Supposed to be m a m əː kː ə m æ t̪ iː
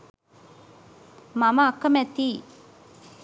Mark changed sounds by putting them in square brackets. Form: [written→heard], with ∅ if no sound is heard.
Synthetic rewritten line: m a m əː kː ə m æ t̪ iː

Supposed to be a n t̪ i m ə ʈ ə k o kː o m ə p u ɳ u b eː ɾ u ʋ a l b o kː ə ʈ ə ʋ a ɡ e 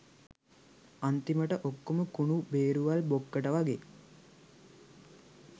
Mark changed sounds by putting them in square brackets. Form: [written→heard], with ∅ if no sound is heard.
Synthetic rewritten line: a n t̪ i m ə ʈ ə [k→ʔ] o kː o m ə [p→k] u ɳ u b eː ɾ u ʋ a l b o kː ə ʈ ə ʋ a ɡ e

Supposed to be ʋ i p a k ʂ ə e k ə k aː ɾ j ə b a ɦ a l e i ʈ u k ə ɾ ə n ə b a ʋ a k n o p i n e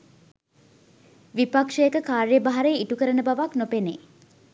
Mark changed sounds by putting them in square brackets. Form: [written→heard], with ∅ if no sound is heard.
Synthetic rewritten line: ʋ i p a k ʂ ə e k ə k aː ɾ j ə b a ɦ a [l→ɾ] e i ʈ u k ə ɾ ə n ə b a ʋ a k n o p [i→e] n e

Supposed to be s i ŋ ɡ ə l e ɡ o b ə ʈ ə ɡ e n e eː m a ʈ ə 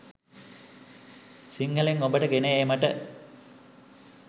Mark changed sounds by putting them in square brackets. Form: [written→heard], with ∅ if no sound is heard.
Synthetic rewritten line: s i ŋ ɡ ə l e [ɡ→ŋ] o b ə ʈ ə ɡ e n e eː m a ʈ ə

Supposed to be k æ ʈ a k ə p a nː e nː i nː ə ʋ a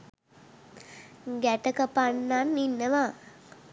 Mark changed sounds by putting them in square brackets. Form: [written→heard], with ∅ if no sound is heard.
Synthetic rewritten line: [k→ɡ] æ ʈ [a→ə] k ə p a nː [e→a] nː i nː ə ʋ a

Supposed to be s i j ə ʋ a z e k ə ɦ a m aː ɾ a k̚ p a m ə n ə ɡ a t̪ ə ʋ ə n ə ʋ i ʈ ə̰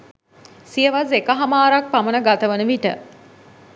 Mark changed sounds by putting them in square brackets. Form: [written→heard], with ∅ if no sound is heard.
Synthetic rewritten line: s i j ə ʋ a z e k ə ɦ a m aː ɾ a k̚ p a m ə n ə ɡ a t̪ ə ʋ ə n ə ʋ i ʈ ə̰

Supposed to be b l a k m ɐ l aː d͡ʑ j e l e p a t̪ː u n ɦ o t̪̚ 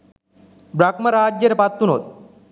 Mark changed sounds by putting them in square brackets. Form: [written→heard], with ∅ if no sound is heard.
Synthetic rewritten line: b [l→ɾ] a k m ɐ [l→ɾ] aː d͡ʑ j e [l→ɾ] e p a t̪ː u n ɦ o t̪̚

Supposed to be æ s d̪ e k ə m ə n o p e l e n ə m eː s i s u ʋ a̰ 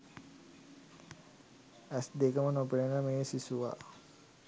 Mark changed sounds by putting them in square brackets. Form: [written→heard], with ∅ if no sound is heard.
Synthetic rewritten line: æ s d̪ e k ə m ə n o p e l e n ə m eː s i s u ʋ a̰

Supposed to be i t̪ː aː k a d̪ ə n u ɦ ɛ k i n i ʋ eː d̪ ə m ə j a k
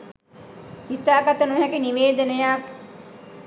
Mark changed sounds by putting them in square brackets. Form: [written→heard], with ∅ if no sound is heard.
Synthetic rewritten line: i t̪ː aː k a [d̪→t̪] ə n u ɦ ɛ k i n i ʋ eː d̪ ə [m→n] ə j a k

